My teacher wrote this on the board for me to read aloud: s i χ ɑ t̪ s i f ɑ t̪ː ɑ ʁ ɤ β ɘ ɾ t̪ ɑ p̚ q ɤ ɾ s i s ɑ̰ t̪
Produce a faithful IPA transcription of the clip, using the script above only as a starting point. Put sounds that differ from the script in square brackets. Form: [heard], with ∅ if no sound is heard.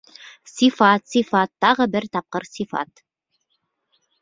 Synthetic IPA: s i [f] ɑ t̪ s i f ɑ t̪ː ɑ ʁ ɤ [b] ɘ ɾ t̪ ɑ p̚ q ɤ ɾ s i [f] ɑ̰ t̪